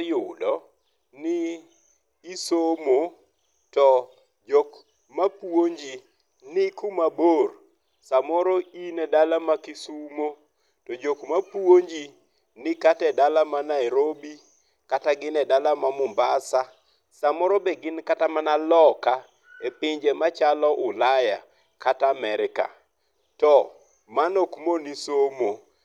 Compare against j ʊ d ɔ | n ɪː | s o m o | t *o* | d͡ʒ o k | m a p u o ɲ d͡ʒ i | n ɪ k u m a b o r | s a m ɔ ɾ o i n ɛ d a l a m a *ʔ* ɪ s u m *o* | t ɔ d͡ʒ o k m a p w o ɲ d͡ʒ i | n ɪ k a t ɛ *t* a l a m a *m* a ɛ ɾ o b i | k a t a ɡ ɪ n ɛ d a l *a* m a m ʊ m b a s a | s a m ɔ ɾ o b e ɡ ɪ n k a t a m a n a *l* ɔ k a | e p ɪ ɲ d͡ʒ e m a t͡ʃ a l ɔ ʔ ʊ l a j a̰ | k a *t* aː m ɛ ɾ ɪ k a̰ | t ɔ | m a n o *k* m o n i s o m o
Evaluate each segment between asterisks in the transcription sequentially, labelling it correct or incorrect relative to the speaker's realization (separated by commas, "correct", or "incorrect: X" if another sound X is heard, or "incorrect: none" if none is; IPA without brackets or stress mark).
incorrect: ɔ, incorrect: k, correct, incorrect: d, incorrect: n, correct, correct, correct, correct